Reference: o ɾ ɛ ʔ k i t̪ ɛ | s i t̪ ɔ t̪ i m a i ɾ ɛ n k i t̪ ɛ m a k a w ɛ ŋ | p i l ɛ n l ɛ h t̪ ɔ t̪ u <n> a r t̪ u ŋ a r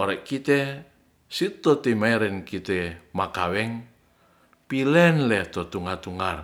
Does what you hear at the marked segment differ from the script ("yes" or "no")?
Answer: yes